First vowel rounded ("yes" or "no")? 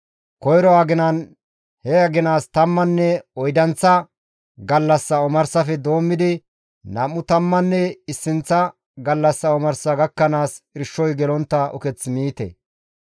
yes